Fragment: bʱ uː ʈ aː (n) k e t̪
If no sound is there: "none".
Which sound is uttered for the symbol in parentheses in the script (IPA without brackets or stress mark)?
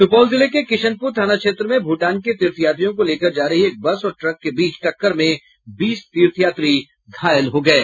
n